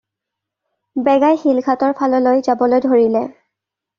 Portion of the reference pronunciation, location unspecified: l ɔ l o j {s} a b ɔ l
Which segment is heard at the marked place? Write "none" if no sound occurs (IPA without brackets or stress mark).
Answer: z